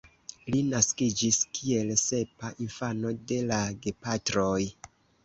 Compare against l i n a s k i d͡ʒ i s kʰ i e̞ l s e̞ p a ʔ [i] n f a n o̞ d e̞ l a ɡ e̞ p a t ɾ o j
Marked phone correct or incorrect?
correct